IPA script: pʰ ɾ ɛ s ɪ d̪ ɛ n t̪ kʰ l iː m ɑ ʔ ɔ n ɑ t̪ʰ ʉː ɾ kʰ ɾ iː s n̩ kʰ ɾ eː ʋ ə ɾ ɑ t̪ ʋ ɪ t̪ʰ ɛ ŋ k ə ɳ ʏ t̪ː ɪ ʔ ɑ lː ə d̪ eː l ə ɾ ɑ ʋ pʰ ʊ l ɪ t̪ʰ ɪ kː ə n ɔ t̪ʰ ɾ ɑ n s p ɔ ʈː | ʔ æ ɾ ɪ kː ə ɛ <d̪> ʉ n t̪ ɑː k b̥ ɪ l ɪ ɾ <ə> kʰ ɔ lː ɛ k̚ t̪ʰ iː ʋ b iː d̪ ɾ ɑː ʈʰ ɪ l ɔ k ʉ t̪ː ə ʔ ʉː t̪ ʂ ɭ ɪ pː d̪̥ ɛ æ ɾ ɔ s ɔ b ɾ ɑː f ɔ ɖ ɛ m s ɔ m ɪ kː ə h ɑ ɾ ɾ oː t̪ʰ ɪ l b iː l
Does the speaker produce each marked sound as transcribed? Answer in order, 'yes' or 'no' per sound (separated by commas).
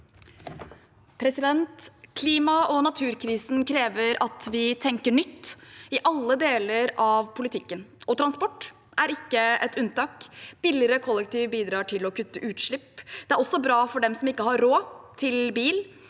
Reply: no, yes